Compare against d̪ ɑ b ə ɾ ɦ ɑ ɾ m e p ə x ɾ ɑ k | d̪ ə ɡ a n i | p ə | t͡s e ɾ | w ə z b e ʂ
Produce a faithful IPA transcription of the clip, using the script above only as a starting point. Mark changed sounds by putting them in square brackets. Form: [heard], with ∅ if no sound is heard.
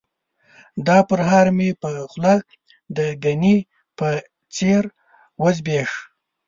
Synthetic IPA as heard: d̪ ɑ [p] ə ɾ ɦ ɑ ɾ m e p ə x [l] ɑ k | d̪ ə ɡ a n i | p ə | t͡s e ɾ | w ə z b e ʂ